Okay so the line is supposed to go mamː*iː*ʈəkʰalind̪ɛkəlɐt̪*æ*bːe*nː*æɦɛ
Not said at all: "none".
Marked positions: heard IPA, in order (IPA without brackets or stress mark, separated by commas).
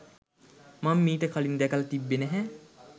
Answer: iː, i, n